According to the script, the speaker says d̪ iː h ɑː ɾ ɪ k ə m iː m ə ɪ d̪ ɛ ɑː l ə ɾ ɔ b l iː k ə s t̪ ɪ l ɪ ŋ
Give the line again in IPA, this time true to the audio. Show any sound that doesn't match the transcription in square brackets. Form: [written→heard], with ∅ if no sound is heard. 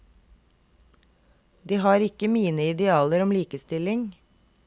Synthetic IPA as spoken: d̪ iː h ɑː ɾ ɪ k ə m iː [m→n] ə ɪ d̪ ɛ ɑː l ə ɾ ɔ [b→m] l iː k ə s t̪ ɪ l ɪ ŋ